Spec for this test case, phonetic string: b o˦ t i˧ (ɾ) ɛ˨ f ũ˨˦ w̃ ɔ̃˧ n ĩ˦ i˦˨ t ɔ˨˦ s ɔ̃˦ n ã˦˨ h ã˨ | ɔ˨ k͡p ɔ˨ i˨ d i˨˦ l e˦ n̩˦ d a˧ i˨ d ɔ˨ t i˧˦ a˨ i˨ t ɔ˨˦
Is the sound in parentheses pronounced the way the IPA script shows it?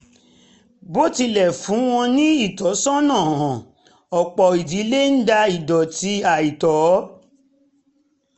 no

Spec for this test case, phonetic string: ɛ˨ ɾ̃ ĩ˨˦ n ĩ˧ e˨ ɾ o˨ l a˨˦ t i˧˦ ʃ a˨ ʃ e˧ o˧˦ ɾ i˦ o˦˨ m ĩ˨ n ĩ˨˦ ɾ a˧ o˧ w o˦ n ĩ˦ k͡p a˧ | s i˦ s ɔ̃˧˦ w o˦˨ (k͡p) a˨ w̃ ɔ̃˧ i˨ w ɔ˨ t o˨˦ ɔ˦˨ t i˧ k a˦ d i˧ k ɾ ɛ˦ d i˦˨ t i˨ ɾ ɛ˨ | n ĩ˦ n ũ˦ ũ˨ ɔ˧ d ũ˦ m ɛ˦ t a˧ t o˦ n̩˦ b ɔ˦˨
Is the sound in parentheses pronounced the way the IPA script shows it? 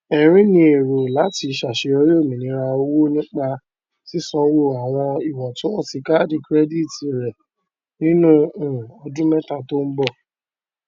no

